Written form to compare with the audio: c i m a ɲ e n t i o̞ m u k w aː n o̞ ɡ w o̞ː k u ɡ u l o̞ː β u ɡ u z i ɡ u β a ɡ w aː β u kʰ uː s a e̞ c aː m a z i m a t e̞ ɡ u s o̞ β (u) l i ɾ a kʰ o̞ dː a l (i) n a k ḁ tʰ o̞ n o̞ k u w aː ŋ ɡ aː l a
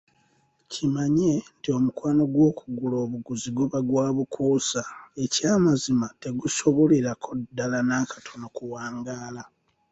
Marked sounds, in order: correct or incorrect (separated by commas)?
incorrect, incorrect